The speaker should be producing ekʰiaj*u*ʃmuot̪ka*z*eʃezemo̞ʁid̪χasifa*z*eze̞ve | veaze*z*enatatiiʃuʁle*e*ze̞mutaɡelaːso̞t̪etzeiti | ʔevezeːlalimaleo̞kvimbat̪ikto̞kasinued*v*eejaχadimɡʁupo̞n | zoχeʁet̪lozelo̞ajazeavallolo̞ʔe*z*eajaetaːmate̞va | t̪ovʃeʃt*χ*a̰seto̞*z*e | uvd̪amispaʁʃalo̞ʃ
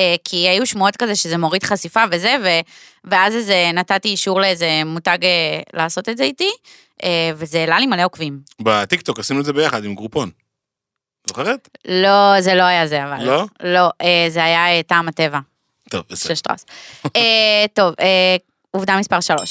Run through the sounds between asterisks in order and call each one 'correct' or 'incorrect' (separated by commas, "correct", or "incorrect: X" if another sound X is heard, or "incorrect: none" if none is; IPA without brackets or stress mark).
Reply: correct, correct, incorrect: v, correct, correct, incorrect: z, correct, incorrect: ʁ, incorrect: v